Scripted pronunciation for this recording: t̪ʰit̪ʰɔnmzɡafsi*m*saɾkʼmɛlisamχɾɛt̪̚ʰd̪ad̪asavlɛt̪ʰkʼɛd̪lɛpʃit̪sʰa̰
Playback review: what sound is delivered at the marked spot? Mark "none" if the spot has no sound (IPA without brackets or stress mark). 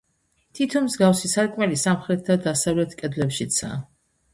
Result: none